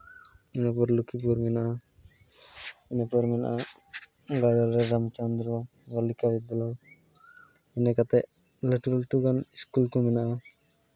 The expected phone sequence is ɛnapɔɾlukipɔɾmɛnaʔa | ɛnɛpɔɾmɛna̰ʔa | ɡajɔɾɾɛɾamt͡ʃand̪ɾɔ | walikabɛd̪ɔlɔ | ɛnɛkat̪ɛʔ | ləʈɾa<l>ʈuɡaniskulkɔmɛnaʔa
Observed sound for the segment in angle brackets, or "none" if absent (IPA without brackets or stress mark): l